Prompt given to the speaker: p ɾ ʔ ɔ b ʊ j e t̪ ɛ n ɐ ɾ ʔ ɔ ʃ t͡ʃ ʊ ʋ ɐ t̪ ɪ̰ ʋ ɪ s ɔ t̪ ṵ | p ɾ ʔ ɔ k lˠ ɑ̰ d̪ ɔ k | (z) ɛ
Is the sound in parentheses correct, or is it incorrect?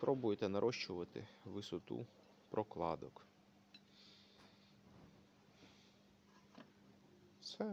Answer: incorrect